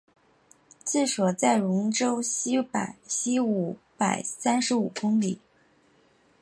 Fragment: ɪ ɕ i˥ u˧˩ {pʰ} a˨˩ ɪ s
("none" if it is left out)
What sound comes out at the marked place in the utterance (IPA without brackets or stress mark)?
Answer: p